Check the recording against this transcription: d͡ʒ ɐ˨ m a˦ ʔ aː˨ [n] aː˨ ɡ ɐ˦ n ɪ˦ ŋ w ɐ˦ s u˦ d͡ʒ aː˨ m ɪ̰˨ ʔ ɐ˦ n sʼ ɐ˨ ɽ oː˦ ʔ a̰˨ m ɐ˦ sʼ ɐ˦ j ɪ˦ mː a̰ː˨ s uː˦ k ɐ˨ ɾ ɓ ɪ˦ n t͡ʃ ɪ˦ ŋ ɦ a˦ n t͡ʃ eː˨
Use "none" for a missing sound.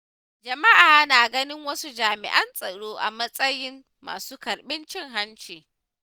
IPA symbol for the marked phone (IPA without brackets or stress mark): n